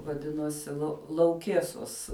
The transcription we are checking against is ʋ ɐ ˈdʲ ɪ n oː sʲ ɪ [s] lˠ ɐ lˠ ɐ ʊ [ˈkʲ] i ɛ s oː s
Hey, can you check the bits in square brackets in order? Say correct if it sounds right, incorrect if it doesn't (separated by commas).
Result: incorrect, correct